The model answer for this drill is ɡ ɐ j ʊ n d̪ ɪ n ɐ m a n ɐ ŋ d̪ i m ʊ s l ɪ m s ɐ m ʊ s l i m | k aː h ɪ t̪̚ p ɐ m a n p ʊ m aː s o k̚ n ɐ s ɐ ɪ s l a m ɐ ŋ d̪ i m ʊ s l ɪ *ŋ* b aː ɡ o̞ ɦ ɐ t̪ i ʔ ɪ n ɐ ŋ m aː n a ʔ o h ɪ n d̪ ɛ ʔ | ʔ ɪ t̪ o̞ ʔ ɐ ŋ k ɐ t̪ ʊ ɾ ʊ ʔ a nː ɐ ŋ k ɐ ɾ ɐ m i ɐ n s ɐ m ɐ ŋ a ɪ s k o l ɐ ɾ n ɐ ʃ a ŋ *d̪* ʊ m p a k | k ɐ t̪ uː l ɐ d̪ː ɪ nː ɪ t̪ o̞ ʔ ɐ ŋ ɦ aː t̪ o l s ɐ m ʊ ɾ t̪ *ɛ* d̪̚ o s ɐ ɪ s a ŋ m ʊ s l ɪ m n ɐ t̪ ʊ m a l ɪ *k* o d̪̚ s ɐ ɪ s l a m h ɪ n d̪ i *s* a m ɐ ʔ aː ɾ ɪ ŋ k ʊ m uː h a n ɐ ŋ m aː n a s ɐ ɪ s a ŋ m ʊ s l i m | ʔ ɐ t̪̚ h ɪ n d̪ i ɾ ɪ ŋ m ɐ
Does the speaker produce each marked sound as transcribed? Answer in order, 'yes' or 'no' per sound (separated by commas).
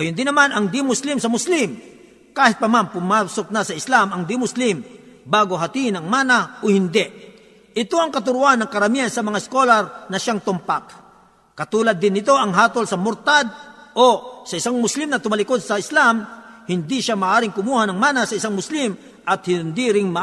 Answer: no, no, no, yes, no